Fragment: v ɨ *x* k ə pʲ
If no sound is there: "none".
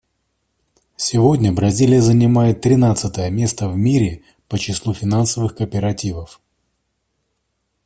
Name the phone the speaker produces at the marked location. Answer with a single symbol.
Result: x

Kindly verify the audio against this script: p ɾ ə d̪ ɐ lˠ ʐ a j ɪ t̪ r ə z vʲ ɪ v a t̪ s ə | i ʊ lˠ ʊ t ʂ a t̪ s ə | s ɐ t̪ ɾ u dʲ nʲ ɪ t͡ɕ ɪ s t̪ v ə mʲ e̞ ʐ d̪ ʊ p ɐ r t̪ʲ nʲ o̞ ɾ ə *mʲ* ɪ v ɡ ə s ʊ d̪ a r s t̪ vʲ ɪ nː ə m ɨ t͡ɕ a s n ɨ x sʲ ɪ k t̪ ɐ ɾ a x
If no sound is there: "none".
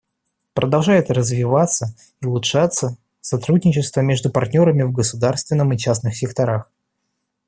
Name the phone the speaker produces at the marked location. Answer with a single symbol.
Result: mʲ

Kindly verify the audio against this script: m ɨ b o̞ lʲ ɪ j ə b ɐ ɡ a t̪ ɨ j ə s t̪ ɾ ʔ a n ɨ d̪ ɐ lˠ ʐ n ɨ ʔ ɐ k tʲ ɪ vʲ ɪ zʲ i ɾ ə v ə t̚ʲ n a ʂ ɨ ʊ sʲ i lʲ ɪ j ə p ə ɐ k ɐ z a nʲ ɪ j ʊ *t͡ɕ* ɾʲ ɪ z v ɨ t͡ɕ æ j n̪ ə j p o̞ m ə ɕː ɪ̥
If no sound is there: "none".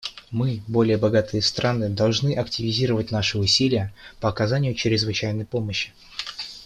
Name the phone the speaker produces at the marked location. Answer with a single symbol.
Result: t͡ɕ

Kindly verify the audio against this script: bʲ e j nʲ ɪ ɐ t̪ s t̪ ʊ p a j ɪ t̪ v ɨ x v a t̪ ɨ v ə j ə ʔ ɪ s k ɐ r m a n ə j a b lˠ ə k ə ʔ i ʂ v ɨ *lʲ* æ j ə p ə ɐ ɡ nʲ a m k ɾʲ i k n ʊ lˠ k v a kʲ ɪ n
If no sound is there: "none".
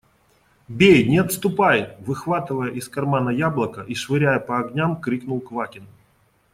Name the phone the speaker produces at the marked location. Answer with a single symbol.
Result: ɾʲ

